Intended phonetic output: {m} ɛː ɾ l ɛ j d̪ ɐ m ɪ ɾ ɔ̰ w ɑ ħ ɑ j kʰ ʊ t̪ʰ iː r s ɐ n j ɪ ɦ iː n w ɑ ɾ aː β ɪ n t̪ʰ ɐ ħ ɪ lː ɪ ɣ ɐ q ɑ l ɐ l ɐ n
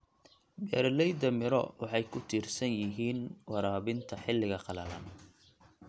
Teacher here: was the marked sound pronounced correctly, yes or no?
no